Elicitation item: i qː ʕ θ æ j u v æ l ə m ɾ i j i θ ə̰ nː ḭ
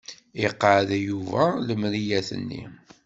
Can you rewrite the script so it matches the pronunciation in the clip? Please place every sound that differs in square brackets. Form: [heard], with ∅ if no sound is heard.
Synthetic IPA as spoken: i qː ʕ [ð] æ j u v æ l ə m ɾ i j [æ] θ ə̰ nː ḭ